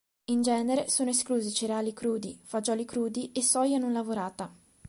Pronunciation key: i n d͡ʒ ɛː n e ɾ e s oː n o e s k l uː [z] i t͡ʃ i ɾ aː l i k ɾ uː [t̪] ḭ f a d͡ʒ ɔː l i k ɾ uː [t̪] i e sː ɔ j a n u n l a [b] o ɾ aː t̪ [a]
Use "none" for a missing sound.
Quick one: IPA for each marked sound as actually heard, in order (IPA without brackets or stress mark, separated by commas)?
z, d̪, d̪, v, a